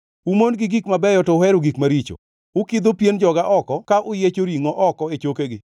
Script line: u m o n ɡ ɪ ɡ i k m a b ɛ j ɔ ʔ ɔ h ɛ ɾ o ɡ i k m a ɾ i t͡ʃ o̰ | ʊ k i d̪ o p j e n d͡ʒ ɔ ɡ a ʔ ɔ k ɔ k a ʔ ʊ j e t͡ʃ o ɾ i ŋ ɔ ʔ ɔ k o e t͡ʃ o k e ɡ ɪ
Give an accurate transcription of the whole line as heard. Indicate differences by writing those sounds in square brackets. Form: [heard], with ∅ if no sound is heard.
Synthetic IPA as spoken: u m o n ɡ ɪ ɡ i k m a b ɛ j ɔ [t] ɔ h ɛ ɾ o ɡ i k m a ɾ i t͡ʃ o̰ | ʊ k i d̪ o p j e n d͡ʒ ɔ ɡ a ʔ ɔ k ɔ k a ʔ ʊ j e t͡ʃ o ɾ i ŋ ɔ ʔ ɔ k [ɔ] e t͡ʃ o k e ɡ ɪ